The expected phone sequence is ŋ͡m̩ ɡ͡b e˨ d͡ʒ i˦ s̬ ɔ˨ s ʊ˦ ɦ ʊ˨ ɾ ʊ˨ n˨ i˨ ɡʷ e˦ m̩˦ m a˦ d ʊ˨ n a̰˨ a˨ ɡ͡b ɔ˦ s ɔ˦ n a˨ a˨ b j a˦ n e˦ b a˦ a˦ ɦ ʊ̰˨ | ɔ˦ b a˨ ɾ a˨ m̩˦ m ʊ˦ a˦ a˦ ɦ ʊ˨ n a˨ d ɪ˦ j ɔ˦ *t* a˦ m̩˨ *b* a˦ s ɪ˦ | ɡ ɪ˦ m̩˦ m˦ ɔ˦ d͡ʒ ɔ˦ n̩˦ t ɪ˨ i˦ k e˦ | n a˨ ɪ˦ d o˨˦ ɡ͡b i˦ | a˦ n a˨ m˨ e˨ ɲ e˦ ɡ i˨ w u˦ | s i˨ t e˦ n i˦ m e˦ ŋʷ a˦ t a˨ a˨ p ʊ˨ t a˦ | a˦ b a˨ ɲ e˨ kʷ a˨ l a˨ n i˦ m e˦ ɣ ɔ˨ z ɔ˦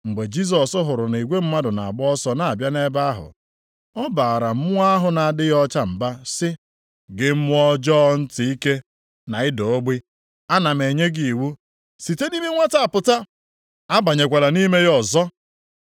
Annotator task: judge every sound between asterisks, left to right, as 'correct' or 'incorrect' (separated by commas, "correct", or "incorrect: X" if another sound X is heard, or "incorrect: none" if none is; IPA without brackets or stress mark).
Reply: incorrect: t͡ʃ, correct